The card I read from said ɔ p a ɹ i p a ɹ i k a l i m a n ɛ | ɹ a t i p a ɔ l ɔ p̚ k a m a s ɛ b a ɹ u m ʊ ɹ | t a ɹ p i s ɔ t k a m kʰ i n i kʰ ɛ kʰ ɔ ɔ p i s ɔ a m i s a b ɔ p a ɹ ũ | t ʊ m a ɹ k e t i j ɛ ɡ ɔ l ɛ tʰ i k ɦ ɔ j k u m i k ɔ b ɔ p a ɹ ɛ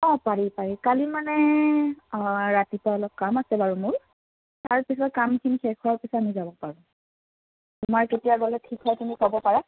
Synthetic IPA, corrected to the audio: ɔ p a ɹ i p a ɹ i k a l i m a n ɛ | ɹ a t i p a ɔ l ɔ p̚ k a m a s ɛ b a ɹ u m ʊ ɹ | t a ɹ p i s ɔ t k a m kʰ i n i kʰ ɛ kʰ ɔ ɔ p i s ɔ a m i z a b ɔ p a ɹ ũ | t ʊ m a ɹ k e t i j a ɡ ɔ l ɛ tʰ i k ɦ ɔ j t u m i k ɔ b ɔ p a ɹ a

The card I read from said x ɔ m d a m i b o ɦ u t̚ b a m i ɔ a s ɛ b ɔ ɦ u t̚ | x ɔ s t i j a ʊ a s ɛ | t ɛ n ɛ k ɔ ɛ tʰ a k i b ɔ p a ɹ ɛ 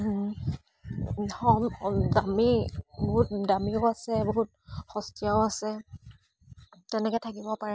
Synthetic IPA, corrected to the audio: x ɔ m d a m i b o ɦ u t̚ d a m i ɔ a s ɛ b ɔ ɦ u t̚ | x ɔ s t i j a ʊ a s ɛ | t ɛ n ɛ k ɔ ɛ tʰ a k i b ɔ p a ɹ ɛ

